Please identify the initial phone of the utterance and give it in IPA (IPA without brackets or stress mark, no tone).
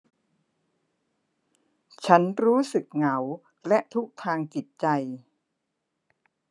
t͡ɕʰ